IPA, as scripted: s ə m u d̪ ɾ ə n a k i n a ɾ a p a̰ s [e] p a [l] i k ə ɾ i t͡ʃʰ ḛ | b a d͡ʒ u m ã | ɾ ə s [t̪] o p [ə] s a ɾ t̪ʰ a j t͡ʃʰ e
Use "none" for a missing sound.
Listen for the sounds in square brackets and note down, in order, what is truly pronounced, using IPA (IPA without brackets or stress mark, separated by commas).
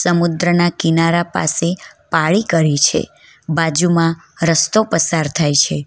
e, ɭ, t̪, ə